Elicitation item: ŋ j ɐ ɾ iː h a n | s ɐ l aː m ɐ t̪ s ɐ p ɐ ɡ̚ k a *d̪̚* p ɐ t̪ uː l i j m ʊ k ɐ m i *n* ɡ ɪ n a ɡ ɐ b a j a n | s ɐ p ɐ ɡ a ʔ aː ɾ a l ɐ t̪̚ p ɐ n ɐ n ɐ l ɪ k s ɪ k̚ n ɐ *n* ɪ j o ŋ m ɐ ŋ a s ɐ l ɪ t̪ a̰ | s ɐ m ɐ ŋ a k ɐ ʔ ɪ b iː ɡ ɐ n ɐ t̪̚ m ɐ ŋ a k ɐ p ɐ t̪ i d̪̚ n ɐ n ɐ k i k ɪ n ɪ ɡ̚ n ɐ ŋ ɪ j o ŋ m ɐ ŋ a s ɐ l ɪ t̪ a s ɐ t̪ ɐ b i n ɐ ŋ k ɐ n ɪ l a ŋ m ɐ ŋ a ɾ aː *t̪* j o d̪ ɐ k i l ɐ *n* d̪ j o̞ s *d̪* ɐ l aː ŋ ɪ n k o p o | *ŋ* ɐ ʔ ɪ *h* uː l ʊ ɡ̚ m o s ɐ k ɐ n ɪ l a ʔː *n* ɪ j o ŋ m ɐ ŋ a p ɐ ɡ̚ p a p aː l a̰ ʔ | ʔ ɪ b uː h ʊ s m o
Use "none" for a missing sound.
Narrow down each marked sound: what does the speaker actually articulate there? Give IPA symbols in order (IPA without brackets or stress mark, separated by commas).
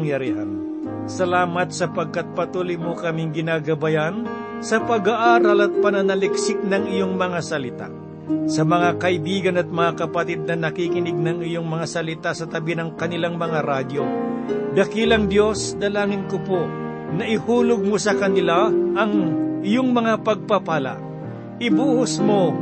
t̪̚, ŋ, ŋ, d̪, ŋ, d̪, n, h, ŋ